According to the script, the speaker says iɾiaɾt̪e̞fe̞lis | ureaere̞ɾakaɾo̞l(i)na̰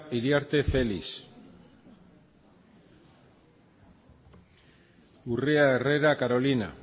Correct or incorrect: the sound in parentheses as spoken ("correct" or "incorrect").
correct